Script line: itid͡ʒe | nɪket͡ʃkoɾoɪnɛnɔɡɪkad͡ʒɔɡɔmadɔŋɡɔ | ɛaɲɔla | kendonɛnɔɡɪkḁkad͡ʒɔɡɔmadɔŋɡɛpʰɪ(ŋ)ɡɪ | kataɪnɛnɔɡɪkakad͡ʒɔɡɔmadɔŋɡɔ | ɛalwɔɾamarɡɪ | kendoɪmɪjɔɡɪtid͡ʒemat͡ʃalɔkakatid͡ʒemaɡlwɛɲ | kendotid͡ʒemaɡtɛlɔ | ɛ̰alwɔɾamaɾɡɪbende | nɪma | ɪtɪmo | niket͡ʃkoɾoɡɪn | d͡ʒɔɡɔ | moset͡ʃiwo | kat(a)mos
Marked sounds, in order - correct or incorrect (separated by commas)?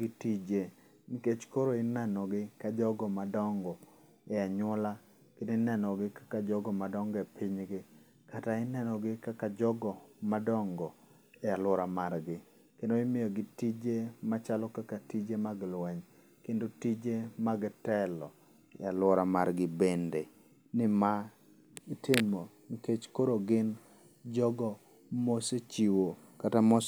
incorrect, correct